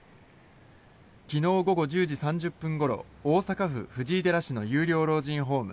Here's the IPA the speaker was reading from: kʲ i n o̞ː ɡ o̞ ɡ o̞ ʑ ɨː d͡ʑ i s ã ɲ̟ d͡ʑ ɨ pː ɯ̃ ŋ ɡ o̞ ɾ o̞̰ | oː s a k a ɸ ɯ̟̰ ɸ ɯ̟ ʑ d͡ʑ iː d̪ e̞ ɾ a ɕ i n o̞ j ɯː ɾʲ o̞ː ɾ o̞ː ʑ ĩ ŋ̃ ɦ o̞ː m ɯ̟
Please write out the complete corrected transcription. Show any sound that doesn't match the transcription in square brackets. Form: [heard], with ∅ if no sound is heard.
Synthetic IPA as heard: kʲ i n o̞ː ɡ o̞ ɡ o̞ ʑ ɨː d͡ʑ i s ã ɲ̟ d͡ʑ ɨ pː ɯ̃ ŋ ɡ o̞ ɾ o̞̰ | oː s a k a ɸ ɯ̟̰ ɸ ɯ̟ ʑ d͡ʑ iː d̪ e̞ ɾ a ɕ i n o̞ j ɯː ɾʲ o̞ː ɾ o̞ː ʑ ĩ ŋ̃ ɦ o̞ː m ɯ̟